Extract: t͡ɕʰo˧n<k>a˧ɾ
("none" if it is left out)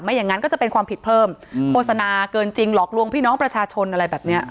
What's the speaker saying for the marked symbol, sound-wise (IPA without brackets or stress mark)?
ʔ